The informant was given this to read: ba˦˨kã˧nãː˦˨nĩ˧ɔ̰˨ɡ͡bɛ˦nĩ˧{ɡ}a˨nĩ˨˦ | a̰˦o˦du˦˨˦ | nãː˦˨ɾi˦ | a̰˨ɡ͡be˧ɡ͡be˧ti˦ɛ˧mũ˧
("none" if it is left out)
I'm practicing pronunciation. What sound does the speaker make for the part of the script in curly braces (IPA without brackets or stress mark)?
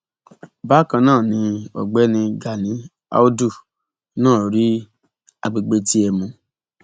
ɡ